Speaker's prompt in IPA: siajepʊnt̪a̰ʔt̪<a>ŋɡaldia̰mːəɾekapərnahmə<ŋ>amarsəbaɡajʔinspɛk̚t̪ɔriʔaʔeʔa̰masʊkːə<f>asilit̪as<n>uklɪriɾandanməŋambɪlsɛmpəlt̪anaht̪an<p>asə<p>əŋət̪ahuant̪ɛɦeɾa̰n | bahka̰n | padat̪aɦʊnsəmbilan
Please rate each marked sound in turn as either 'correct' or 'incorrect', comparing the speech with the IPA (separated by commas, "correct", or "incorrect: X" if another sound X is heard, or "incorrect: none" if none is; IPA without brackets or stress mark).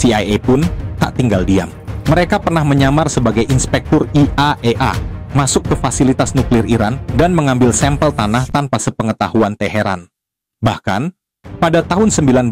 incorrect: i, incorrect: ɲ, correct, correct, correct, correct